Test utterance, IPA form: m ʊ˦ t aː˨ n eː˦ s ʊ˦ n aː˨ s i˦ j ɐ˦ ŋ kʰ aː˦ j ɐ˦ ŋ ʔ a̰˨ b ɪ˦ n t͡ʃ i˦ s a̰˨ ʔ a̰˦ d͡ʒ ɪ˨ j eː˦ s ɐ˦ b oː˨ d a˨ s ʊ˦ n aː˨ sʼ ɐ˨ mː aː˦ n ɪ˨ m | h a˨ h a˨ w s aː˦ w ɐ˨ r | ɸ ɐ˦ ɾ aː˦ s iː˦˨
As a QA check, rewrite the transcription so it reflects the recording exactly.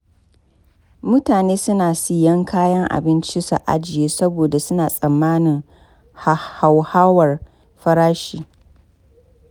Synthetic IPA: m ʊ˦ t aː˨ n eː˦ s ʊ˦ n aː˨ s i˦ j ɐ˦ ŋ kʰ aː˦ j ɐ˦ ŋ ʔ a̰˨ b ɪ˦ n t͡ʃ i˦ s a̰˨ ʔ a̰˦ d͡ʒ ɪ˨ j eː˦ s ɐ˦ b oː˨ d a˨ s ʊ˦ n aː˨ sʼ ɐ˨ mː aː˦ n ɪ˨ ŋ | h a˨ h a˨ w h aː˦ w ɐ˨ r | ɸ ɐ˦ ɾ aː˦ ʃ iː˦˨